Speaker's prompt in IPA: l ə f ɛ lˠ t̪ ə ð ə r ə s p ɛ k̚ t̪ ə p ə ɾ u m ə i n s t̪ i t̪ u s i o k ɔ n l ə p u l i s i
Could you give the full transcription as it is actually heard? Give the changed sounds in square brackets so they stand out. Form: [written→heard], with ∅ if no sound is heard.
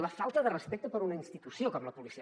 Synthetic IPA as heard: l ə f [ɛ→a] lˠ t̪ ə ð ə r ə s p ɛ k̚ t̪ ə p ə ɾ u [m→n] ə i n s t̪ i t̪ u s i o k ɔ [n→m] l ə p u l i s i

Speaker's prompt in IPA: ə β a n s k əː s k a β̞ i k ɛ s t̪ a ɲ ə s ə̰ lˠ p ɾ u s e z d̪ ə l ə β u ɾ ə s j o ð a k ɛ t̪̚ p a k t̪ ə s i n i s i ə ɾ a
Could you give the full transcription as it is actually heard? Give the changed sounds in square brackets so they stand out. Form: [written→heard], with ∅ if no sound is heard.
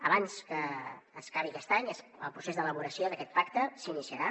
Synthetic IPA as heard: ə β a n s k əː s k a β̞ i k ɛ s t̪ a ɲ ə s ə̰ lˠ p ɾ u s e z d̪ ə l ə β u ɾ ə s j o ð [a→ə] k ɛ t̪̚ p a k t̪ ə s i n i s i ə ɾ a

